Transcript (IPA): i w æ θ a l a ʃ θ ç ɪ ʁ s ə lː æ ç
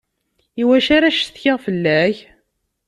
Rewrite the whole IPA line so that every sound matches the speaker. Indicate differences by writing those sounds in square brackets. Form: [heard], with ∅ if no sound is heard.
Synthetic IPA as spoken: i w æ [ʃ] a [ɾ] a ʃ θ ç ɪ ʁ [f] ə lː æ ç